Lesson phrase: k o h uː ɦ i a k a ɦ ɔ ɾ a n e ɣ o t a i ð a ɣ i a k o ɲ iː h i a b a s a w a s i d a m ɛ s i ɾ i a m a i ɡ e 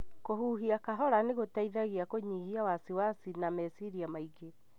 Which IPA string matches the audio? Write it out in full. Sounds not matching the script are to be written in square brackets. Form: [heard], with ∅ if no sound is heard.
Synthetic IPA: k o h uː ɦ i a k a ɦ ɔ ɾ a n e ɣ o t a i ð a ɣ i a k o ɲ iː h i a [w] a s [i] w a s i [n] a m ɛ s i ɾ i a m a i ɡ e